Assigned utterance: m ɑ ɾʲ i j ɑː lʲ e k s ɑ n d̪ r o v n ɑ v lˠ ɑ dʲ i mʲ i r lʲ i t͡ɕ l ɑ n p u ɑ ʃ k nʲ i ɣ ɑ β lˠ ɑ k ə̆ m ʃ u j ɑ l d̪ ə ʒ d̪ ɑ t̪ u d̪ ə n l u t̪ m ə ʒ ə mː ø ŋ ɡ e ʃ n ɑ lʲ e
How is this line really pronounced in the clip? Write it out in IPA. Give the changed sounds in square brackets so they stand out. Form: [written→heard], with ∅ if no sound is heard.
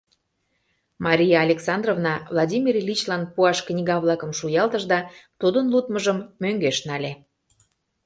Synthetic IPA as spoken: m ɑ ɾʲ i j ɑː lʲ e k s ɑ n d̪ r o v n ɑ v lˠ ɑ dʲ i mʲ i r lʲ i t͡ɕ l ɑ n p u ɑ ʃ k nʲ i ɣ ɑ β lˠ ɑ k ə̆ m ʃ u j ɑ l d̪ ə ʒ d̪ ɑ t̪ u d̪ ə n l u t̪ m ə ʒ ə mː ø ŋ ɡ e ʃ n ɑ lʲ e

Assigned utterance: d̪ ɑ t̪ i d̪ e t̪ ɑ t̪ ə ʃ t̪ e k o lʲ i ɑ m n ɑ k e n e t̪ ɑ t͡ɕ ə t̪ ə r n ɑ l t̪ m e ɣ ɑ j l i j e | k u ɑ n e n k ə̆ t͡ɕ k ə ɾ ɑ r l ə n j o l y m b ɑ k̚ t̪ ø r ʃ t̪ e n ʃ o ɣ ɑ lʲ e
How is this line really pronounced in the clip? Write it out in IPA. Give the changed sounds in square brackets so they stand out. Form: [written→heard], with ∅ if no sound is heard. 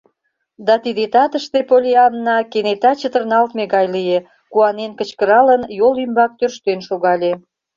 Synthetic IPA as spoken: d̪ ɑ t̪ i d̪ e t̪ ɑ t̪ ə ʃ t̪ e [k→p] o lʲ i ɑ m n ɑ k e n e t̪ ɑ t͡ɕ ə t̪ ə r n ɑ l t̪ m e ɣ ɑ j l i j e | k u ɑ n e n k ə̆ t͡ɕ k ə ɾ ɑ [r→∅] l ə n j o l y m b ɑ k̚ t̪ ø r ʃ t̪ e n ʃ o ɣ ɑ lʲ e

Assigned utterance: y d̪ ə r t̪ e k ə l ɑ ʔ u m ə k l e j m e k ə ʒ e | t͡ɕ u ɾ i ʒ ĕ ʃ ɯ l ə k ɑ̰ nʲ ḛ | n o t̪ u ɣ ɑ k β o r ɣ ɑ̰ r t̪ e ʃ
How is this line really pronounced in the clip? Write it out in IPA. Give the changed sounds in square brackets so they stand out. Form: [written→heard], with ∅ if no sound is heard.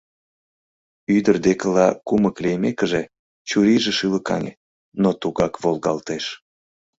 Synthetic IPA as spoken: y d̪ ə r [t̪→d̪] e k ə l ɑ [ʔ→k] u m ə k l e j m e k ə ʒ e | t͡ɕ u ɾ i ʒ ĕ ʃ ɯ l ə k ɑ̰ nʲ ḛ | n o t̪ u ɣ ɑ k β o [r→l] ɣ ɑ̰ [r→l] t̪ e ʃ

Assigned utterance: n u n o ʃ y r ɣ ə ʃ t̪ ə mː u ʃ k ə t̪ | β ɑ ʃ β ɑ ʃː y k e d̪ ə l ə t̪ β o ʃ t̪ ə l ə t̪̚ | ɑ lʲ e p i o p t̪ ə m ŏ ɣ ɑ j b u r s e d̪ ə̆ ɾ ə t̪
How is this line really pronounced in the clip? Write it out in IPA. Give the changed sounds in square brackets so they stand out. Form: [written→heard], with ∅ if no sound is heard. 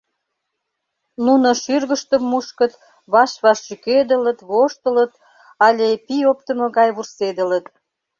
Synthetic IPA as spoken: n u n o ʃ y r ɣ ə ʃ t̪ ə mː u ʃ k ə t̪ | β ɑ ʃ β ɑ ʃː y k e d̪ ə l ə t̪ β o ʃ t̪ ə l ə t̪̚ | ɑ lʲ e p i o p t̪ ə m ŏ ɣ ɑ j [b→β] u r s e d̪ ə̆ [ɾ→l] ə t̪

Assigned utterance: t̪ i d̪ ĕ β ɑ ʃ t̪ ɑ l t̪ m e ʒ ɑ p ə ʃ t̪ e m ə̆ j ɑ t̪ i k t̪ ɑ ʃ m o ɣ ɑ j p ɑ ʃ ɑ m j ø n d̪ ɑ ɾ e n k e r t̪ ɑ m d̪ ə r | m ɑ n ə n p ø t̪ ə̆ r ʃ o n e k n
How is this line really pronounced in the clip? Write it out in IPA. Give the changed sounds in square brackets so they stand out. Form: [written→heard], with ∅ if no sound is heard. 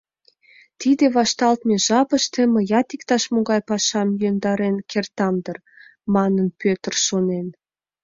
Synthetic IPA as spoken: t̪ i d̪ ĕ β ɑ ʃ t̪ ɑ l t̪ m e ʒ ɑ p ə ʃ t̪ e m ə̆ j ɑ t̪ i k t̪ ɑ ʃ m o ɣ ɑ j p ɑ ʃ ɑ m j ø n d̪ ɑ ɾ e n k e r t̪ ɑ m d̪ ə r | m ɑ n ə n p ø t̪ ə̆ r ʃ o n e [k→∅] n

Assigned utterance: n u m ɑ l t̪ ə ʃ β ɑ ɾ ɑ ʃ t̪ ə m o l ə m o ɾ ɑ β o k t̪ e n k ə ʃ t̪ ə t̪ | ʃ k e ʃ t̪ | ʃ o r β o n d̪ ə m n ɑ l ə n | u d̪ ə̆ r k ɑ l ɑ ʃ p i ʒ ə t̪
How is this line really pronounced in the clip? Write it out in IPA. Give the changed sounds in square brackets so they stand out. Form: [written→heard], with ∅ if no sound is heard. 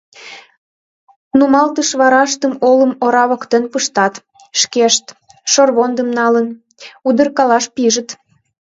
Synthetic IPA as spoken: n u m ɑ l t̪ ə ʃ β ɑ ɾ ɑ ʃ t̪ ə m o l ə m o ɾ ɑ β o k t̪ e n [k→p] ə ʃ t̪ [ə→ɑ] t̪ | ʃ k e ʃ t̪ | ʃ o r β o n d̪ ə m n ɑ l ə n | u d̪ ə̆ r k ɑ l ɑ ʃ p i ʒ ə t̪

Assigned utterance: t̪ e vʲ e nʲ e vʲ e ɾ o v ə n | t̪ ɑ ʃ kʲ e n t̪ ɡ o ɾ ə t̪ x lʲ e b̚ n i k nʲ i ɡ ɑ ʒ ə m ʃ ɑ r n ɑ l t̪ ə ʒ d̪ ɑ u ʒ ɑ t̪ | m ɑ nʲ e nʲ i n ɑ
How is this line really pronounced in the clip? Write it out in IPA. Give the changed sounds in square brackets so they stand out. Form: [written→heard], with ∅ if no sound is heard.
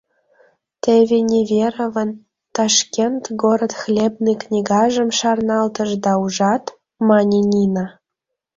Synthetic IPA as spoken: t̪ e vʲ e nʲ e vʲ e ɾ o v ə n | t̪ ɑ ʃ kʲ e n t̪ ɡ o ɾ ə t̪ x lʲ e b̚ n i k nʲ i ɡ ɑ ʒ ə m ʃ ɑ r n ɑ l t̪ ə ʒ d̪ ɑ u ʒ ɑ t̪ | m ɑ nʲ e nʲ i n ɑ

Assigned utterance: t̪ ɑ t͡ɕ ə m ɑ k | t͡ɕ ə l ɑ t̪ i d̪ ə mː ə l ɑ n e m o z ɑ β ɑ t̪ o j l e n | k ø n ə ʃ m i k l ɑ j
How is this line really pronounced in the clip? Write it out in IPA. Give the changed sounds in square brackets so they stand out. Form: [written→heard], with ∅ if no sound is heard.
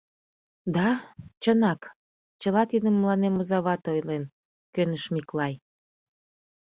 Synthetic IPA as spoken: [t̪→d̪] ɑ t͡ɕ ə [m→n] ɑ k | t͡ɕ ə l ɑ t̪ i d̪ ə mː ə l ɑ n e m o z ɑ β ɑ t̪ o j l e n | k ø n ə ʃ m i k l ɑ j

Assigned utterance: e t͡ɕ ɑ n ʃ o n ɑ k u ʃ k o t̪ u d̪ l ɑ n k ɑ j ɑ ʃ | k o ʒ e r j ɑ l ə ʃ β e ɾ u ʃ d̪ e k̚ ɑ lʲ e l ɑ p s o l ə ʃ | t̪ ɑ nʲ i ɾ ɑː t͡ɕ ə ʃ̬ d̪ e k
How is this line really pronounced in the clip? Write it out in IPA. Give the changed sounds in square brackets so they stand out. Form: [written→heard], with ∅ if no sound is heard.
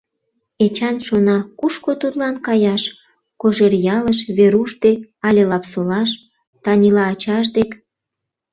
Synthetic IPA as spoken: e t͡ɕ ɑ n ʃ o n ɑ k u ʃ k o t̪ u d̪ l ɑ n k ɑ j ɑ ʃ | k o ʒ e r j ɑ l ə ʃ β e ɾ u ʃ d̪ e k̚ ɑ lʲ e l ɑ p s o l [ə→ɑ] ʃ | t̪ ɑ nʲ i [ɾ→l] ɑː t͡ɕ [ə→ɑ] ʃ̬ d̪ e k

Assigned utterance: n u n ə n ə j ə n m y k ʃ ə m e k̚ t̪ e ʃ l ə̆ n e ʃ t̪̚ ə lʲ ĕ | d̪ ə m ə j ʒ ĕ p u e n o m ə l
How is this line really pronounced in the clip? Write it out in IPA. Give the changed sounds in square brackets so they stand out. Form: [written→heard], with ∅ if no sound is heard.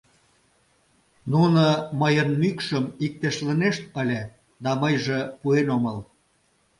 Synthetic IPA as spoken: n u n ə [n→m] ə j ə n m y k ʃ ə m [e→i] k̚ t̪ e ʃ l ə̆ n e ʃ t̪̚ ə lʲ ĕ | d̪ [ə→ɑ] m ə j ʒ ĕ p u e n o m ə l

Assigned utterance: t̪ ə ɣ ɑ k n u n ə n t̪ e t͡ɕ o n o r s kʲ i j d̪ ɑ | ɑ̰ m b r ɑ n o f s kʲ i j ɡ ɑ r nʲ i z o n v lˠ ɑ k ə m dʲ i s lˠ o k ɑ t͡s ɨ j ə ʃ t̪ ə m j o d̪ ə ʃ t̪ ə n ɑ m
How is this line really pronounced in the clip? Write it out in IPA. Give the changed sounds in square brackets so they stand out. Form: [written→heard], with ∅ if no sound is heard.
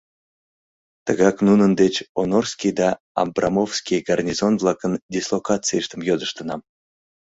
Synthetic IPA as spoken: t̪ ə ɣ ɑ k n u n ə n [t̪→d̪] e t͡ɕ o n o r s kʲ i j d̪ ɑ | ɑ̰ m b r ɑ [n→m] o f s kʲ i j ɡ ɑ r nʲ i z o n v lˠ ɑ k ə [m→n] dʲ i s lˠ o k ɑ t͡s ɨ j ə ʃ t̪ ə m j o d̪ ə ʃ t̪ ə n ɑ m

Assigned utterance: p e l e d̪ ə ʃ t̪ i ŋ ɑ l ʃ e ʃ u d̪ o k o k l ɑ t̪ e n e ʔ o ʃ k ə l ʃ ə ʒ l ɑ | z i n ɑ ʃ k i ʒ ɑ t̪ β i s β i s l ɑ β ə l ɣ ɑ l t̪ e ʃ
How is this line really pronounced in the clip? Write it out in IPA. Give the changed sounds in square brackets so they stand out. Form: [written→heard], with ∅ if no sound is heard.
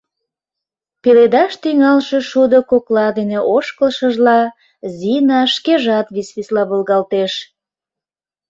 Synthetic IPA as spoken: p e l e d̪ [ə→ɑ] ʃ t̪ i ŋ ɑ l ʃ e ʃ u d̪ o k o k l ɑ [t̪→d̪] e n e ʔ o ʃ k ə l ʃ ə ʒ l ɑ | z i n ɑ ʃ k [i→e] ʒ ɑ t̪ β i s β i s l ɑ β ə l ɣ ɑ l t̪ e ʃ

